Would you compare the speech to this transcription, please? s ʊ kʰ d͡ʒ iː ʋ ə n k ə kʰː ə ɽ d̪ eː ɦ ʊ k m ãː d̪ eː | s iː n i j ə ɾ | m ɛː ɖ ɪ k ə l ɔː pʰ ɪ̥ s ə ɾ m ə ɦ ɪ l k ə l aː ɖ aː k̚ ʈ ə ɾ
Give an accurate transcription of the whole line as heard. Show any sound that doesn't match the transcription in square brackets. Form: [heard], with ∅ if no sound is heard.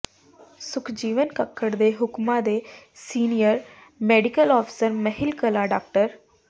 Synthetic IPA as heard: s ʊ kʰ d͡ʒ iː ʋ ə n k ə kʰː ə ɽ d̪ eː ɦ ʊ k m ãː d̪ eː | s iː n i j ə ɾ | m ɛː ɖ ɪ k ə l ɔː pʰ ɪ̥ s ə ɾ m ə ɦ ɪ l k ə l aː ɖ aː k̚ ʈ ə ɾ